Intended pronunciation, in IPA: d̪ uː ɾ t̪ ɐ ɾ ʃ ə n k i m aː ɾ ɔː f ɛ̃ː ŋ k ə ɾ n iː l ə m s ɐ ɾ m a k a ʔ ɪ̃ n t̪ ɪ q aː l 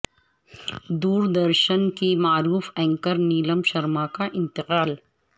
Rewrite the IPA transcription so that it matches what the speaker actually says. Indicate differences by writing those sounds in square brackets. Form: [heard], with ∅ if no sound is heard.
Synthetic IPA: d̪ uː ɾ [d̪] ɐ ɾ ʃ ə n k i m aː ɾ [uː] f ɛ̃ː ŋ k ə ɾ n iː l ə m [ʃ] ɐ ɾ m a k a ʔ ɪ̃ n t̪ ɪ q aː l